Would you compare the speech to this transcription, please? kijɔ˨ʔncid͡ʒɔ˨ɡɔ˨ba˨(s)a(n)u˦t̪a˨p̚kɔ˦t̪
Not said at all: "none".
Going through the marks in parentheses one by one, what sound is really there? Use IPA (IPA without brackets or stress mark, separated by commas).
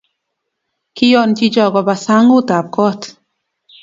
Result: s, ŋ